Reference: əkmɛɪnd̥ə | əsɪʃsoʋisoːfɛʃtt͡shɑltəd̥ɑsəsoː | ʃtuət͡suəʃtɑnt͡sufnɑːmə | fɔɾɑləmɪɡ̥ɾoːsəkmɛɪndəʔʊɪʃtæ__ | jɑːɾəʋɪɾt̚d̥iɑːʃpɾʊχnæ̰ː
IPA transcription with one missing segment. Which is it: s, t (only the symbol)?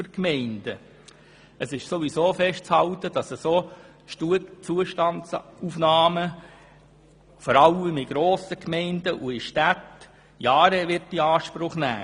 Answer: t